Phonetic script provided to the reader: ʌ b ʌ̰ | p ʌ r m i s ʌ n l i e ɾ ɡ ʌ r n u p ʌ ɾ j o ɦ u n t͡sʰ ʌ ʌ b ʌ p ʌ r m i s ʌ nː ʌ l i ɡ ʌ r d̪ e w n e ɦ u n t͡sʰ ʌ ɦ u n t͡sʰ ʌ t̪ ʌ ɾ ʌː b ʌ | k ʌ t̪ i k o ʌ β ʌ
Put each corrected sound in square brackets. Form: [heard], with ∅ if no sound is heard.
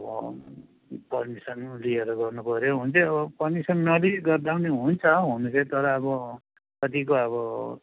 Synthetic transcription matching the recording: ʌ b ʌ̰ | p ʌ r m i s ʌ n l i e ɾ ɡ ʌ r n u p ʌ ɾ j o ɦ u n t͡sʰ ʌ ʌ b ʌ p ʌ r m i s ʌ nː ʌ l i ɡ ʌ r d̪ [a] w n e ɦ u n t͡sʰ ʌ ɦ u n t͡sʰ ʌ t̪ ʌ ɾ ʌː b ʌ | k ʌ t̪ i k o ʌ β ʌ